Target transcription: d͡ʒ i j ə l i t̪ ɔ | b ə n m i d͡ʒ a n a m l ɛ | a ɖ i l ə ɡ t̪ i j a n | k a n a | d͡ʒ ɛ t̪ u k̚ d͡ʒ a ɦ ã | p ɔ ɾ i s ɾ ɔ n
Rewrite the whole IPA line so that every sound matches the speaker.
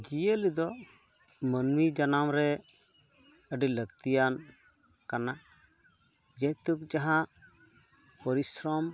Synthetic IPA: d͡ʒ i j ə l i d̪ ɔ | m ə n m i d͡ʒ a n a m ɾ ɛ | ə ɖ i l ə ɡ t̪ i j a n | k a n a | d͡ʒ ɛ t̪ u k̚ d͡ʒ a ɦ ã | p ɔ ɾ i s ɾ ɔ m